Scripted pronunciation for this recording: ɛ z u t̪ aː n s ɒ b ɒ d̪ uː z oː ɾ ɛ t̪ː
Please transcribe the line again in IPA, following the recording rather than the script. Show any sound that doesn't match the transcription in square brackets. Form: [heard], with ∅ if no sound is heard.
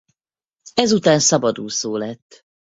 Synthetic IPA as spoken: ɛ z u t̪ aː n s ɒ b ɒ d̪ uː [s] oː [l] ɛ t̪ː